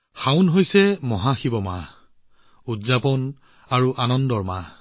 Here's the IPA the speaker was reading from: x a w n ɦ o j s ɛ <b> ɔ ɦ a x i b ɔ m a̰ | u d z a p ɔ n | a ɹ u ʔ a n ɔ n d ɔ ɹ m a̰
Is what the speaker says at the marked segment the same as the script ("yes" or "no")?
no